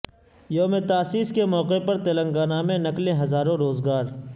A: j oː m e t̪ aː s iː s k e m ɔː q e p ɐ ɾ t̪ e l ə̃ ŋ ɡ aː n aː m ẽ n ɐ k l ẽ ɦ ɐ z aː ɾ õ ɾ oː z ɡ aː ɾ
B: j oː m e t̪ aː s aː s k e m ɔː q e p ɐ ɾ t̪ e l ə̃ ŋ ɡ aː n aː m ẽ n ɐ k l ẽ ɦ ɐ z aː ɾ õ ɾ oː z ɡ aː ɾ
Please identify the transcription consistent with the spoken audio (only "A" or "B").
A